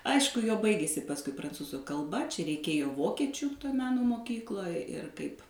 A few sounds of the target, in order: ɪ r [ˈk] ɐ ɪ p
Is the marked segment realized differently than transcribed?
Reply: no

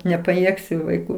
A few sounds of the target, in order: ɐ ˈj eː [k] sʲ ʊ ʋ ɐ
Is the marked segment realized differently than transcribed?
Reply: no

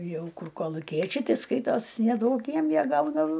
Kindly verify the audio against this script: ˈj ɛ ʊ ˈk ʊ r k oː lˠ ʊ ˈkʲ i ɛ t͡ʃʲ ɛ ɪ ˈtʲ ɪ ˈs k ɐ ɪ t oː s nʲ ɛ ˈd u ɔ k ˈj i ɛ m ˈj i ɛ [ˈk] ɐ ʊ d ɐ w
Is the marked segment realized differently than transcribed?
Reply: yes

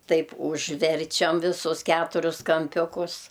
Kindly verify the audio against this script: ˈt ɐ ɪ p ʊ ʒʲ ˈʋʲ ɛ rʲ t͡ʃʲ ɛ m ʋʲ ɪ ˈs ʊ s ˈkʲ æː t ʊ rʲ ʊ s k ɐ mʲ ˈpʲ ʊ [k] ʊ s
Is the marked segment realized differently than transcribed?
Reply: no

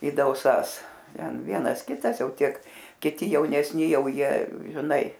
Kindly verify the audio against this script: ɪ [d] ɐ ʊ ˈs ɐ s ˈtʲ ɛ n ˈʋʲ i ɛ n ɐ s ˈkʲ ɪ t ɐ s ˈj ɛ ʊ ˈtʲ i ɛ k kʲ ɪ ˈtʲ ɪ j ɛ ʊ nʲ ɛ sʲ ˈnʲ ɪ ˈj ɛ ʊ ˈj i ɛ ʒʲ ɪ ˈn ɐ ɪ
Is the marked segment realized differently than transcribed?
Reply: no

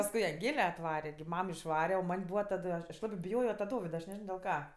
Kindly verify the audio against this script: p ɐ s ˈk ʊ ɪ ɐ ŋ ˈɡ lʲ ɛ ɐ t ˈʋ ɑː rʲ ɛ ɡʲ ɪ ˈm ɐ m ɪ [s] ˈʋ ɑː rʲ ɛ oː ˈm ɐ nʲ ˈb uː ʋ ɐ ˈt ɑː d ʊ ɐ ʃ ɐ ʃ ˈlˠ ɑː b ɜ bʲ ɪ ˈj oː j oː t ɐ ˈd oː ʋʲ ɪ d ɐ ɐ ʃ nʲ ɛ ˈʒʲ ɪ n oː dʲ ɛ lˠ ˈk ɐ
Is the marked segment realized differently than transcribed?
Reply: yes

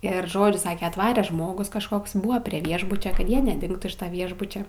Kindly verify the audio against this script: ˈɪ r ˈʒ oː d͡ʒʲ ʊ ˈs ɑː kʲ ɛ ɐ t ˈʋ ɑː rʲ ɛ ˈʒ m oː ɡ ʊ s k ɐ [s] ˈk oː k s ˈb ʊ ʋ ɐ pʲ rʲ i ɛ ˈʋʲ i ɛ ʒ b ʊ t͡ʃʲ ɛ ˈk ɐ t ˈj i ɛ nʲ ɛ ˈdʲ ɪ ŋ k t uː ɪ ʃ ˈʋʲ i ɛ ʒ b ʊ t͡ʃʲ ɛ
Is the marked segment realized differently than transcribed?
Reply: yes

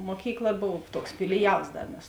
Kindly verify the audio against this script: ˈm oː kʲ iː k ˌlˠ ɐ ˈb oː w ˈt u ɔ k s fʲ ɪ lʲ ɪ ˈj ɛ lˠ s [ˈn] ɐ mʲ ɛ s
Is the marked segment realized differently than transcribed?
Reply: yes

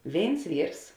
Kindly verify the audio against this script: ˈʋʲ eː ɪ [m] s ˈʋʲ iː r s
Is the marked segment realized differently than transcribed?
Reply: yes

